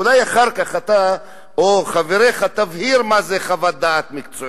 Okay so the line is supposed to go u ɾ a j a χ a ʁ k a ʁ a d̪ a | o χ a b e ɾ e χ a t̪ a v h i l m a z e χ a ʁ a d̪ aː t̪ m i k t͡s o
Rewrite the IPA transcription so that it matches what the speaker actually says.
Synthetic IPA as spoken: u l a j a χ a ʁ k a χ a t̪ a | o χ a v e ɾ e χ a t̪ a v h i ɾ m a z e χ a v a d̪ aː t̪ m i k t͡s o